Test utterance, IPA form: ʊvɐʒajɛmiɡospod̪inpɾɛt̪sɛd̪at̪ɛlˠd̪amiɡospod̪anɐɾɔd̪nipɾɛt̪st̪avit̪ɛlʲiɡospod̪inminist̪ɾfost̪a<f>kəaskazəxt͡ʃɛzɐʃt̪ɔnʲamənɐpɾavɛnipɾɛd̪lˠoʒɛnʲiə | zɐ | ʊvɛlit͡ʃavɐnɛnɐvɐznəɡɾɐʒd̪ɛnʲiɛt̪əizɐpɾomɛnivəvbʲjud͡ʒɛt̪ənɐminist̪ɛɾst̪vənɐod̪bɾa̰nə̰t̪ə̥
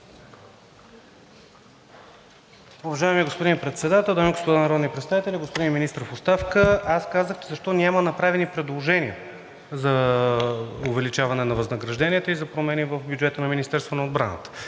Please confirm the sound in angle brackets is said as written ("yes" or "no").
yes